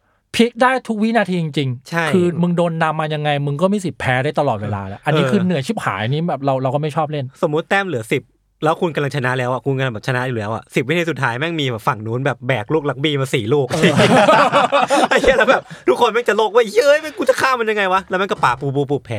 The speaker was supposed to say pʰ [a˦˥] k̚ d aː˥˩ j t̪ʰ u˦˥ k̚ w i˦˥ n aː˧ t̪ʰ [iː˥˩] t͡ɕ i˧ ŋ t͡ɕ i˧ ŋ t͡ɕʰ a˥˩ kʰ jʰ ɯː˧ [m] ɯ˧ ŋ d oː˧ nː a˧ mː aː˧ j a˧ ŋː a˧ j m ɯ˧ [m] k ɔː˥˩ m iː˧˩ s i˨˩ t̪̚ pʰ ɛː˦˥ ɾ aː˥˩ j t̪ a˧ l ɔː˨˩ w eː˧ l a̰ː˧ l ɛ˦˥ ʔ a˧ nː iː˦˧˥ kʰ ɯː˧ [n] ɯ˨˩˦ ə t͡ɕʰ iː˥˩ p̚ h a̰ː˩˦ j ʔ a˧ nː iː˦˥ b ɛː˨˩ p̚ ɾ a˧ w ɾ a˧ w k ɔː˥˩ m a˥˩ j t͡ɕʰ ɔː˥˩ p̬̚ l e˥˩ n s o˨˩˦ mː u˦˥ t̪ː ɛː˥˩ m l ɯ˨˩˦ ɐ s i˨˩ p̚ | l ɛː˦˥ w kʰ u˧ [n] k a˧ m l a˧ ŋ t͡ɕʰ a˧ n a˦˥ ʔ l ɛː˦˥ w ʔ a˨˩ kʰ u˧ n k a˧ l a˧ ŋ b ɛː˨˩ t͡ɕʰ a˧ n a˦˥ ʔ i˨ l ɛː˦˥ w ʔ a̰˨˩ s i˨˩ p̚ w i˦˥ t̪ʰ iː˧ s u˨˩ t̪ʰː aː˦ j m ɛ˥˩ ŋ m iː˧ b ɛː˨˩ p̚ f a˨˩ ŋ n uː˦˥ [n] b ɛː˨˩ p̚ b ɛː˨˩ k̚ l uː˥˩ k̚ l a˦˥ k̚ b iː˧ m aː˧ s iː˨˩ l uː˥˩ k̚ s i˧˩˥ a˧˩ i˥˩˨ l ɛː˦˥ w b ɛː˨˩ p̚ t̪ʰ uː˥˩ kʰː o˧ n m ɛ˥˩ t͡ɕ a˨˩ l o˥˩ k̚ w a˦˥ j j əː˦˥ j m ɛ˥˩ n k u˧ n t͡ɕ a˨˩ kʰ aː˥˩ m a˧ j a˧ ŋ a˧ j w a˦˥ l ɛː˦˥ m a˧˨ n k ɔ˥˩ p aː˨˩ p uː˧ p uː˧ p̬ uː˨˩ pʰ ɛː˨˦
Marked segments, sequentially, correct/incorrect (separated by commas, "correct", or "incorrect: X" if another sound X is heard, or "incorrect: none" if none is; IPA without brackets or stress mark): incorrect: i˦˥, incorrect: iː˧, correct, incorrect: ŋ, correct, correct, correct